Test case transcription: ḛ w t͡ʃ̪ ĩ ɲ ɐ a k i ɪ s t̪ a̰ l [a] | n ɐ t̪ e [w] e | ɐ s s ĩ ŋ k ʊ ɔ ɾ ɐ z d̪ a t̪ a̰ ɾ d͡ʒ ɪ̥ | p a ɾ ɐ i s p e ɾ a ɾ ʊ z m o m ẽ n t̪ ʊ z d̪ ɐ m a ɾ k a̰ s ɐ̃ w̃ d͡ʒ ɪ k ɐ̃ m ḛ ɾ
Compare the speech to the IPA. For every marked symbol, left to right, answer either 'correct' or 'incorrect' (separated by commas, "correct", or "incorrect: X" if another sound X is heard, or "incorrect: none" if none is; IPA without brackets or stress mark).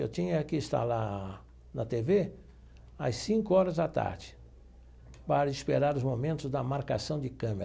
correct, incorrect: v